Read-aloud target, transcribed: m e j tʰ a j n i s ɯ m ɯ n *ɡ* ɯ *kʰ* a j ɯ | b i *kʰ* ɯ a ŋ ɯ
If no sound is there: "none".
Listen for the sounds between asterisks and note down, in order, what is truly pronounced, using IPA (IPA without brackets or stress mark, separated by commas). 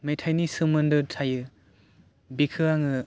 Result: d, tʰ, kʰ